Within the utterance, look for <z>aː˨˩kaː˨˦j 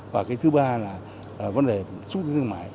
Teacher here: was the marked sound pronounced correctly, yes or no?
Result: no